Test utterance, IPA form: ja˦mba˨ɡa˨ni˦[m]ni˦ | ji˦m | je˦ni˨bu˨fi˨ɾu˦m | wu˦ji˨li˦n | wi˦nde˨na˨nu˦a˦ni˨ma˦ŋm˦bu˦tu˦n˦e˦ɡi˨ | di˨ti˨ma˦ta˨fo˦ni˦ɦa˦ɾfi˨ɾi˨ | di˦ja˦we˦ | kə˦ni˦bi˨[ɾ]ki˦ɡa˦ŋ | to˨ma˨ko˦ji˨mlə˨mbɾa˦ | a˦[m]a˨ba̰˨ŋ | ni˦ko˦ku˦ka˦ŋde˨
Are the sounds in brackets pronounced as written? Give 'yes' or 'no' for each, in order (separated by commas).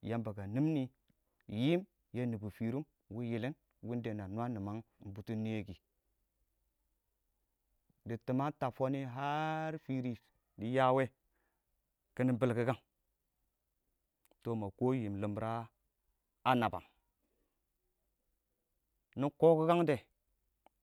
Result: yes, no, no